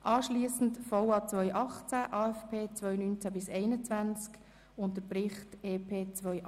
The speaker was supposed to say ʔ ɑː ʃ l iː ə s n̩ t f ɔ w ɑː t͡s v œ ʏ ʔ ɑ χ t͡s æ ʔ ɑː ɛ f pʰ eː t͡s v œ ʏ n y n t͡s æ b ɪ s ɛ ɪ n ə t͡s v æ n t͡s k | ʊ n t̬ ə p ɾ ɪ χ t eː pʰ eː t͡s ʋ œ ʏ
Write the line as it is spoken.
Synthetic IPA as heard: ʔ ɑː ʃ l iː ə s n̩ t f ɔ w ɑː t͡s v œ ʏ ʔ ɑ χ t͡s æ ʔ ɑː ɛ f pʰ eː t͡s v œ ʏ n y n t͡s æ b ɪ s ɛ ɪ n ə t͡s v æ n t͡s k | ʊ n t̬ ə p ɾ ɪ χ t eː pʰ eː t͡s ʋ œ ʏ